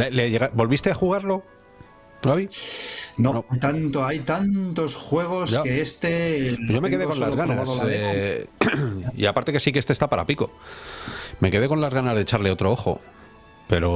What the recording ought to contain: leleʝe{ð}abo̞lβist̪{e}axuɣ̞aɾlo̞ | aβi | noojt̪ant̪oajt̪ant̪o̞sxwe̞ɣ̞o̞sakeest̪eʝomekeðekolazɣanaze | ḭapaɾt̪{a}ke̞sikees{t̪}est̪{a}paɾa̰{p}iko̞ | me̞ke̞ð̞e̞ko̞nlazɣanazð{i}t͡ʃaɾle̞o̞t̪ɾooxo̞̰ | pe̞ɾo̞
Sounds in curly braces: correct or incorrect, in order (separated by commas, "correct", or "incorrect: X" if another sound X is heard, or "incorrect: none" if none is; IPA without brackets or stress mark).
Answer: incorrect: ɣ, correct, incorrect: e, correct, correct, correct, incorrect: e